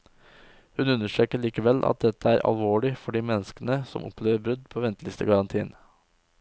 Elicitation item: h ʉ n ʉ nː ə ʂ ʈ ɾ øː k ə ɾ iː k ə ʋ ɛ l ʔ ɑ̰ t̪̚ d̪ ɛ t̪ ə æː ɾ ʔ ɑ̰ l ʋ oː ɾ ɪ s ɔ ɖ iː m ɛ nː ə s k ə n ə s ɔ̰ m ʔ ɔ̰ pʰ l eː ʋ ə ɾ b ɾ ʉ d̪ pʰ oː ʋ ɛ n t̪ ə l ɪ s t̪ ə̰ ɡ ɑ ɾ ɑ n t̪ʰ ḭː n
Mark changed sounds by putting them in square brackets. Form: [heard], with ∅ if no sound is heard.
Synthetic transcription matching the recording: h ʉ n ʉ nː ə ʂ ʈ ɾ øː k ə [ɭ] iː k ə ʋ ɛ l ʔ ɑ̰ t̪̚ d̪ ɛ t̪ ə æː ɾ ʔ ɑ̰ l ʋ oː [ɭ] ɪ [f] ɔ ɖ iː m ɛ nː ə s k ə n ə s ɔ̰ m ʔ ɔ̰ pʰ l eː ʋ ə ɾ b ɾ ʉ d̪ pʰ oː ʋ ɛ n t̪ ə l ɪ s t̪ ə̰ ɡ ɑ ɾ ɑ n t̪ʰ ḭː n